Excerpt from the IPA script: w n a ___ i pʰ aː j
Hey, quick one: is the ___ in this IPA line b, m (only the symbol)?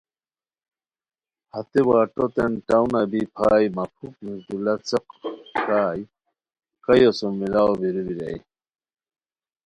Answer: b